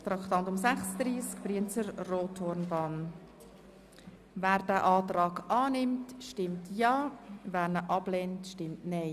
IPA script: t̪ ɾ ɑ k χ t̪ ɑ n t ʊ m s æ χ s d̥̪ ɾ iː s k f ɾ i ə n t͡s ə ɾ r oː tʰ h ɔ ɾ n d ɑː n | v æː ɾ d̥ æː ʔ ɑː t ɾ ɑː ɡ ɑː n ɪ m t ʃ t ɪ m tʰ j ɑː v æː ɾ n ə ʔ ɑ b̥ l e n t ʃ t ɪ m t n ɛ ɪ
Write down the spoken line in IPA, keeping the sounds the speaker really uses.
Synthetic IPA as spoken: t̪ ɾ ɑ k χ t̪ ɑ n t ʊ m s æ χ s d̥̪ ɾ iː s k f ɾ i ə n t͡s ə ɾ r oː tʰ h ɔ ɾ n b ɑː n | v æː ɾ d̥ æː ʔ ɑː t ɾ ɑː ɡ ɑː n ɪ m t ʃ t ɪ m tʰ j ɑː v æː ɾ n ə ʔ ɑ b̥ l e n t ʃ t ɪ m t n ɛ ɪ